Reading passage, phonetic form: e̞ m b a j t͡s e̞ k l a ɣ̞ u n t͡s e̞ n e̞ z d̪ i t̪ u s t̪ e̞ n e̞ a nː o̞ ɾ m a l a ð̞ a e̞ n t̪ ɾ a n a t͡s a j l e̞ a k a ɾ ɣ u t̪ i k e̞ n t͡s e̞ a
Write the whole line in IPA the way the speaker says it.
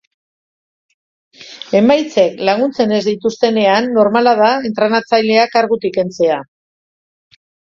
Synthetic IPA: e̞ m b a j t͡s e̞ k l a ɣ̞ u n t͡s e̞ n e̞ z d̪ i t̪ u s t̪ e̞ n e̞ a nː o̞ ɾ m a l a ð̞ a e̞ n t̪ ɾ a n a t͡s a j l e̞ a k a ɾ ɣ u t̪ i k e̞ n t͡s e̞ a